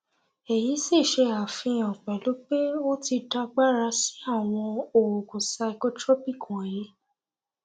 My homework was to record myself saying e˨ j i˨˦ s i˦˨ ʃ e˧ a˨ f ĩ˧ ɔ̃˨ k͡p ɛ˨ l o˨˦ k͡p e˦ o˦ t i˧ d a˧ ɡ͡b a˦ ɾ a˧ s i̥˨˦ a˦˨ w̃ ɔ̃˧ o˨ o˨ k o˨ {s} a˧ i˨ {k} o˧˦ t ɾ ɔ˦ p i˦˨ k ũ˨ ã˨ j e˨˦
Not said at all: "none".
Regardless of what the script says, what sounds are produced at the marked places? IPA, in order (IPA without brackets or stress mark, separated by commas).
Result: s, k